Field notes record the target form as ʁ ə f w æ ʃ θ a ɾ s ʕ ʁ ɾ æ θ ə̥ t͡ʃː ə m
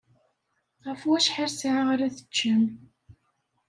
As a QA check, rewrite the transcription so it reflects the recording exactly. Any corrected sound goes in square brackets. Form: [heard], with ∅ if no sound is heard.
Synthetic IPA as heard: ʁ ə f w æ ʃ [ħ] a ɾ s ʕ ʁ ɾ æ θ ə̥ t͡ʃː ə m